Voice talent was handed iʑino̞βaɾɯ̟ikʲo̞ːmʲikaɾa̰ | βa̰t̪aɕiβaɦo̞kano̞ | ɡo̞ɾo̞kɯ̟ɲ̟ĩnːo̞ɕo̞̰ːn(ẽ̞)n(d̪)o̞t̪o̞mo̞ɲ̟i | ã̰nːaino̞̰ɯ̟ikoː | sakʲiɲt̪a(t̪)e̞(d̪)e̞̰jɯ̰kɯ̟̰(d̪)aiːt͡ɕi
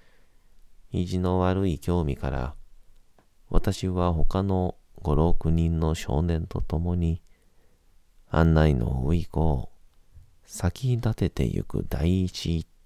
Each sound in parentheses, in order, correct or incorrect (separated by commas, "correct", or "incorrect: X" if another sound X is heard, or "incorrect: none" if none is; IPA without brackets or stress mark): correct, incorrect: t̪, correct, incorrect: t̪, correct